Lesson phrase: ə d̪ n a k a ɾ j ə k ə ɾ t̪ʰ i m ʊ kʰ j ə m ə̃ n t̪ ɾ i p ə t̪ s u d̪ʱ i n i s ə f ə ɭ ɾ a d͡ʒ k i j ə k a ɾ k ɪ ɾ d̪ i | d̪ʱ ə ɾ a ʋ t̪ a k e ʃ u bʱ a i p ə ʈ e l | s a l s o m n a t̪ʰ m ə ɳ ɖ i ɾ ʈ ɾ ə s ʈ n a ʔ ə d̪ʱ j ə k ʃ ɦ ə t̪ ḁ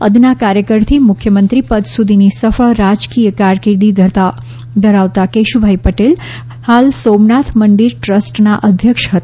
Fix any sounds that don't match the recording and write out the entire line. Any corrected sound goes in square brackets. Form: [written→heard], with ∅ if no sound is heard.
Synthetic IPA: ə d̪ n a k a ɾ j ə k ə ɾ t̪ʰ i m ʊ kʰ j ə m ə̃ n t̪ ɾ i p ə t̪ s u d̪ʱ i n i s ə f ə ɭ ɾ a d͡ʒ k i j ə k a ɾ k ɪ ɾ d̪ i | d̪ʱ ə ɾ a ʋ t̪ a k e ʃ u bʱ a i p ə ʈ e l | [s→h] a l s o m n a t̪ʰ m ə ɳ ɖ i ɾ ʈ ɾ ə s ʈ n a ʔ ə d̪ʱ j ə k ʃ ɦ ə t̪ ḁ